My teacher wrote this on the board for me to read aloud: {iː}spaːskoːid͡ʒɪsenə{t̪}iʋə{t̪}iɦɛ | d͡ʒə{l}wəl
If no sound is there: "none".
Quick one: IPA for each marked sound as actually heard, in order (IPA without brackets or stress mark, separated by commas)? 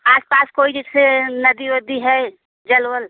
aː, d̪, d̪, l